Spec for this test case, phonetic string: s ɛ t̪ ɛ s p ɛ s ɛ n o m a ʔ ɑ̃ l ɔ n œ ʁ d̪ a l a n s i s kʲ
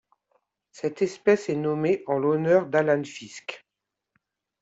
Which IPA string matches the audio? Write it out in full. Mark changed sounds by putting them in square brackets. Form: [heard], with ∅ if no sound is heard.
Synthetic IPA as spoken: s ɛ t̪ ɛ s p ɛ s ɛ n [ɔ] m [e] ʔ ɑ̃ l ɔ n œ ʁ d̪ a l a n [f] i s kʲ